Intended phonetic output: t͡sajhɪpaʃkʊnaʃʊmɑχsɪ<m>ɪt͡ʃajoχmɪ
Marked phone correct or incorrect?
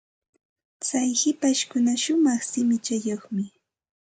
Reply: correct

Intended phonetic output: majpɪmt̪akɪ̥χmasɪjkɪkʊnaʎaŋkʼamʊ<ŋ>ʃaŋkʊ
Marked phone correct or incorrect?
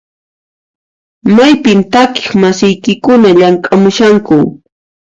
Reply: incorrect: none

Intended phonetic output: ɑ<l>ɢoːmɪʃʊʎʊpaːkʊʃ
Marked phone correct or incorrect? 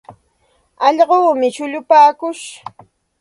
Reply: incorrect: ʎ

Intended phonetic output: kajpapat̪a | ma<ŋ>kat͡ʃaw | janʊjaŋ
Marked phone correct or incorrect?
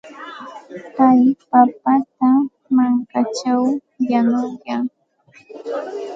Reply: correct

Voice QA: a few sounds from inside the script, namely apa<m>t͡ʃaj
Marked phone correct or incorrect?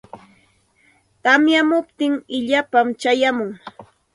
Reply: correct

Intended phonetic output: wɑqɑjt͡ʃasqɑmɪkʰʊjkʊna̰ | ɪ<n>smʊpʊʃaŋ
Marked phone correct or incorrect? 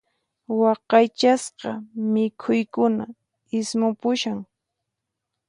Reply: incorrect: none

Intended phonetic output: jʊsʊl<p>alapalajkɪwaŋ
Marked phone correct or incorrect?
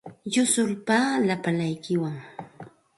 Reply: correct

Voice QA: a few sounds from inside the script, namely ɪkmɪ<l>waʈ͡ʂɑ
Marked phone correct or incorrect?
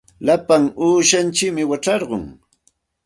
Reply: incorrect: none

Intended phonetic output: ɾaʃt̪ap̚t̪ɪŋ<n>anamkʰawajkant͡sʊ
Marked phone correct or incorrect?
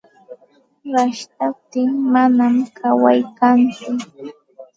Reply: incorrect: m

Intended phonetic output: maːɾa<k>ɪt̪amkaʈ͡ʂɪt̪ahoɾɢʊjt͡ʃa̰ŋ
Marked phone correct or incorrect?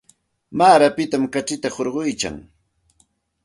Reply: incorrect: p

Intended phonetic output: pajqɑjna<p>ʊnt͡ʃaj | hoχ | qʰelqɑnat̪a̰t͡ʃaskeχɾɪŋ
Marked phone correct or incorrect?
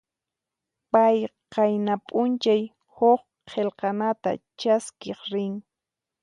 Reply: incorrect: pʼ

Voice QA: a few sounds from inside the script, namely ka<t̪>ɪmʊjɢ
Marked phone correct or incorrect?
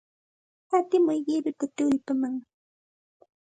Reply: correct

